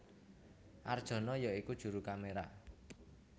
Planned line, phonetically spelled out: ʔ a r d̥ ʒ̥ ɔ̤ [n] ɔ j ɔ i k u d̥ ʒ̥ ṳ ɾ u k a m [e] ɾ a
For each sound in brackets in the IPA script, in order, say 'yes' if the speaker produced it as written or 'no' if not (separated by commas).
yes, yes